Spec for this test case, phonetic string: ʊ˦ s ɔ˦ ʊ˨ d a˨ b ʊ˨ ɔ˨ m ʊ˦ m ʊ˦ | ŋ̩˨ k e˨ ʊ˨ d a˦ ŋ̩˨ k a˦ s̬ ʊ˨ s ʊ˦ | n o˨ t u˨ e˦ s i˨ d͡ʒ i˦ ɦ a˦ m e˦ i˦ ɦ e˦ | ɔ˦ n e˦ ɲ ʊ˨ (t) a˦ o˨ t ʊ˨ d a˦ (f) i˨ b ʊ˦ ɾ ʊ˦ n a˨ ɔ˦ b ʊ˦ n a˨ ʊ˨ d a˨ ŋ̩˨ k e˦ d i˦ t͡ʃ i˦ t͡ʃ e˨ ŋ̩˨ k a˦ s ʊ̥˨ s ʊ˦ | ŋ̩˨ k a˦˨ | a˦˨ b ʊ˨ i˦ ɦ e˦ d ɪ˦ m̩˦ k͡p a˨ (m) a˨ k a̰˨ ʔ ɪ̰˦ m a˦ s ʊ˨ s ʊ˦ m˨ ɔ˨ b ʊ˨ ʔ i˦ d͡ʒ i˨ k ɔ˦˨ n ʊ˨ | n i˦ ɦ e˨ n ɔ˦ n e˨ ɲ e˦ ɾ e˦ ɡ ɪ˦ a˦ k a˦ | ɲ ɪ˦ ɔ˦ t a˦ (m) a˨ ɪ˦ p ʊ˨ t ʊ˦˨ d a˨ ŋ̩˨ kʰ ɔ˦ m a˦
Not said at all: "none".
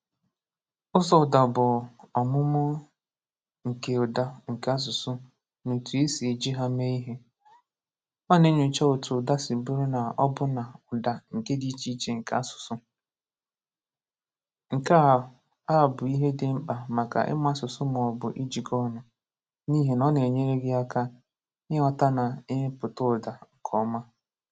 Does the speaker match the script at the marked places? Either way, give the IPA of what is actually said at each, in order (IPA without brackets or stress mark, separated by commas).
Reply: t͡ʃ, s, m, n